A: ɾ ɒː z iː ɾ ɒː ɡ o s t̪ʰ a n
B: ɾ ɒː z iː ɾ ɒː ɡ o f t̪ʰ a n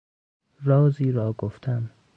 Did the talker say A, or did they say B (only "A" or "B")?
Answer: B